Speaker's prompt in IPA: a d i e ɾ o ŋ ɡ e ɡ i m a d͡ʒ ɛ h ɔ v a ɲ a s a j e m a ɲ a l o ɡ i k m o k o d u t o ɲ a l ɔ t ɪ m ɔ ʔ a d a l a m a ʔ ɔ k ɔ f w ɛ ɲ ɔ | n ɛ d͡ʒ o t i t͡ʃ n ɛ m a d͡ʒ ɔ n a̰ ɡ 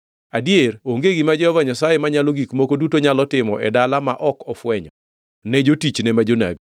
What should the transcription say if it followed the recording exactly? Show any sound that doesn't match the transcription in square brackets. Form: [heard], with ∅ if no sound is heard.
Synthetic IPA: a d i e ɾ o ŋ ɡ e ɡ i m a d͡ʒ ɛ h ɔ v a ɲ a s a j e m a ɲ a l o ɡ i k m o k o d u t o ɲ a l ɔ t ɪ m ɔ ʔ [ɛ] d a l a m a ʔ ɔ k ɔ f w ɛ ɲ ɔ | n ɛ d͡ʒ o t i t͡ʃ n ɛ m a d͡ʒ [o] n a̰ ɡ

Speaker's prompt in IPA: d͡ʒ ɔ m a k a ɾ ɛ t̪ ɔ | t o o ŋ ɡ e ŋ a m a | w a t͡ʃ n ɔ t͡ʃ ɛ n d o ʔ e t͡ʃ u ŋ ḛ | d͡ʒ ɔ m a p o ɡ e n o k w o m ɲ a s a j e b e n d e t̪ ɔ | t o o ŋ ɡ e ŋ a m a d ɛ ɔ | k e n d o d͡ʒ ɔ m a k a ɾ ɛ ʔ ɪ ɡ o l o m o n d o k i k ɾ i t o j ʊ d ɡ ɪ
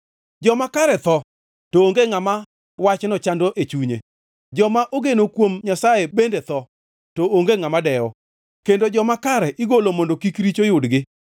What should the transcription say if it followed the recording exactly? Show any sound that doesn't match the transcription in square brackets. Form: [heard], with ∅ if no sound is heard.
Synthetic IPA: d͡ʒ ɔ m a k a ɾ ɛ t̪ ɔ | t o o ŋ ɡ e ŋ a m a | w a t͡ʃ n ɔ t͡ʃ [a] n d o ʔ e t͡ʃ u [ɲ] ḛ | d͡ʒ ɔ m a [ʔ] o ɡ e n o k w o m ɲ a s a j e b e n d e t̪ ɔ | t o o ŋ ɡ e ŋ a m a d ɛ ɔ | k e n d o d͡ʒ ɔ m a k a ɾ ɛ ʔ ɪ ɡ o l o m o n d o k i k ɾ i [t͡ʃ] o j ʊ d ɡ ɪ

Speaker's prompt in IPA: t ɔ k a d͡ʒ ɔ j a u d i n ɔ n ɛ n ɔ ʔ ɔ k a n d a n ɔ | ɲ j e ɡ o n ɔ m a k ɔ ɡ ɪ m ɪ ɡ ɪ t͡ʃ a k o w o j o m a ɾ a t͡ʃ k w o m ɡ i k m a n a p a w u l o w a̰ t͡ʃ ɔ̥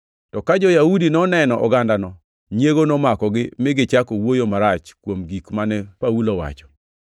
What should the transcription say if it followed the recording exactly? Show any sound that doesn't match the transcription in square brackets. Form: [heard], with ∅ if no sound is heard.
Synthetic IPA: t ɔ k a d͡ʒ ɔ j a u d i n ɔ n ɛ n ɔ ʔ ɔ [ɡ] a n d a n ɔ | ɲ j e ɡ o n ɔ m a k ɔ ɡ ɪ m ɪ ɡ ɪ t͡ʃ a k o w o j o m a ɾ a t͡ʃ k w o m ɡ i k m a n [ɛ] p a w u l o w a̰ t͡ʃ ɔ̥

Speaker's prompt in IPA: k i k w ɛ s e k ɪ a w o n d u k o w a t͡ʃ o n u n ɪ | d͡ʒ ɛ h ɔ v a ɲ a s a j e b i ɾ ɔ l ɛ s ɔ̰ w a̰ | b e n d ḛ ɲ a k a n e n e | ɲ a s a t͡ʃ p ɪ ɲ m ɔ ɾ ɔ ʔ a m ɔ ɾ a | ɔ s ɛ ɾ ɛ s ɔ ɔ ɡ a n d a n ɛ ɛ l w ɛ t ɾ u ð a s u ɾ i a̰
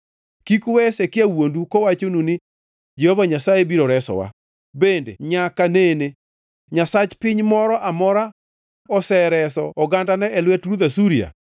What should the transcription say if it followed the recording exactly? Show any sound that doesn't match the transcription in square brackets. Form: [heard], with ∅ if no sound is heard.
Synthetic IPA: k i k w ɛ s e k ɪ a w o n d u k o w a t͡ʃ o n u n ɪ | d͡ʒ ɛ h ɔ v a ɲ a s a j e b i ɾ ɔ [ɾ] ɛ s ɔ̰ w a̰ | b e n d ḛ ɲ a k a n e n e | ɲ a s a t͡ʃ p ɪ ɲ m ɔ ɾ ɔ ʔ a m ɔ ɾ a | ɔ s ɛ ɾ ɛ s ɔ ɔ ɡ a n d a n ɛ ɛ l w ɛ t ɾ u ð a s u ɾ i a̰

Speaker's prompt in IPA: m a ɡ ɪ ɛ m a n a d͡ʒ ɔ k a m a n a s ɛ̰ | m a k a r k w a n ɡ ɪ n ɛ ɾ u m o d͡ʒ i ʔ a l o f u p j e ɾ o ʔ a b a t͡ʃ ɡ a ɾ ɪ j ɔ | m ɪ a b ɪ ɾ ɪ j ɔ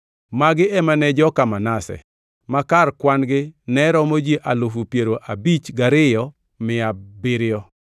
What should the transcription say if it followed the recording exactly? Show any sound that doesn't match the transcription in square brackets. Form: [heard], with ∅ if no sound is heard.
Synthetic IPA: m a ɡ ɪ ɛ m a n [ɛ] d͡ʒ ɔ k a m a n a s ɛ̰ | m a k a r k w a n ɡ ɪ n ɛ ɾ [ɔ] m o d͡ʒ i ʔ a l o f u p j e ɾ o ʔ a b [i] t͡ʃ ɡ a ɾ ɪ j ɔ | m ɪ a b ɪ ɾ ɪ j ɔ

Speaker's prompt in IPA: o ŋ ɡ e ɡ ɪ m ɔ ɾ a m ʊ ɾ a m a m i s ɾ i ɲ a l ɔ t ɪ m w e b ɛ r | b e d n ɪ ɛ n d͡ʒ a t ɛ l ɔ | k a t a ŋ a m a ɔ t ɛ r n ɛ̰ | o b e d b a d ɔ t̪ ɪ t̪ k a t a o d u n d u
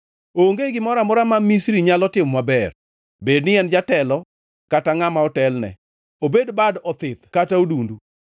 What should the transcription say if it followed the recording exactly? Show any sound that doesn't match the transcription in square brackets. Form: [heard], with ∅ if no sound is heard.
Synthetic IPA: o ŋ ɡ e ɡ ɪ m ɔ ɾ a m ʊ ɾ a m a m i s ɾ i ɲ a l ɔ t ɪ m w [a] b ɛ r | b e d n ɪ ɛ n d͡ʒ a t ɛ l ɔ | k a t a ŋ a m a ɔ t ɛ [l] n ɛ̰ | o b e d b a d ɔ t̪ ɪ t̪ k a t a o d u n d u

